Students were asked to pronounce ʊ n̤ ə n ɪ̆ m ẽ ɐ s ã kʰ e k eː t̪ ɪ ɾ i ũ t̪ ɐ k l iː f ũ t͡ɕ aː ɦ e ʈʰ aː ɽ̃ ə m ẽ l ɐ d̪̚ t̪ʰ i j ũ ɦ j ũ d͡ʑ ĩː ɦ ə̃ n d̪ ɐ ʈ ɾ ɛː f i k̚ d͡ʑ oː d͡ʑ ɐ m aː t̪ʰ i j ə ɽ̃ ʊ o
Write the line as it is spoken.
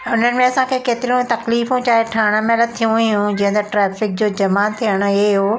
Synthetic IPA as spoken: ʊ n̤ ə n ɪ̆ m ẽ ɐ s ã kʰ e k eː t̪ ɪ ɾ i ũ t̪ ɐ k l iː f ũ t͡ɕ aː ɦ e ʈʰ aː ɽ̃ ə m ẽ l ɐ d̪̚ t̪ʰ i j ũ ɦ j ũ d͡ʑ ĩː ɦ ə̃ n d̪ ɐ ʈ ɾ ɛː f ɪ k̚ d͡ʑ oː d͡ʑ ɐ m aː t̪ʰ i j ə ɽ̃ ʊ o